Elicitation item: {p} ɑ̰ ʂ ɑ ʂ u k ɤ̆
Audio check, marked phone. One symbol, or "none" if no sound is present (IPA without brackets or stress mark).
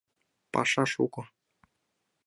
p